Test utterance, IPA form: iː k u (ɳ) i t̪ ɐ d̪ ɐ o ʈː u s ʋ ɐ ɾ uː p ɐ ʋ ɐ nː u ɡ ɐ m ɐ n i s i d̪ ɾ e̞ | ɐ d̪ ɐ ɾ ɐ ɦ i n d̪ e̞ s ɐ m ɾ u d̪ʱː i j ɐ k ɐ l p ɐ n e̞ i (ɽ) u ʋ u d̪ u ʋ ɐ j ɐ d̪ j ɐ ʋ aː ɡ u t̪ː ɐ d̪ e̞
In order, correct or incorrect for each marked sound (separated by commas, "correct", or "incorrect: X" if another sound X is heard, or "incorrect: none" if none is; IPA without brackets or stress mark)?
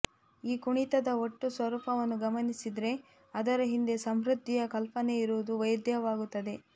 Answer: correct, incorrect: ɾ